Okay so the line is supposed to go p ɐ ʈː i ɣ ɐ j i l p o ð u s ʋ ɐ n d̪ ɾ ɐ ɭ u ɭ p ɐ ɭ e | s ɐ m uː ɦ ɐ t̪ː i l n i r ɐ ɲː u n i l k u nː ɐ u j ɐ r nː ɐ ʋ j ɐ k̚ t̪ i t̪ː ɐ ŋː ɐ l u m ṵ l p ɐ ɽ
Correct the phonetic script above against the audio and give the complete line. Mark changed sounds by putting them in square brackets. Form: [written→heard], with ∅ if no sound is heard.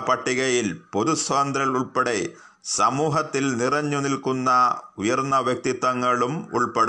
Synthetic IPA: p ɐ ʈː i ɣ ɐ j i l p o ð u s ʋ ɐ n d̪ ɾ ɐ ɭ u ɭ p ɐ [ɭ→ɽ] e | s ɐ m uː ɦ ɐ t̪ː i l n i r ɐ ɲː u n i l k u nː ɐ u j ɐ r nː ɐ ʋ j ɐ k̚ t̪ i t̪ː ɐ ŋː ɐ [l→ɭ] u m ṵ [l→ɭ] p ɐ ɽ